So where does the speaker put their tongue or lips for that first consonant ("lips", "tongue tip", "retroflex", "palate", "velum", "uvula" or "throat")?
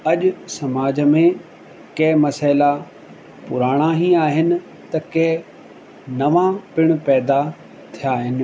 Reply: palate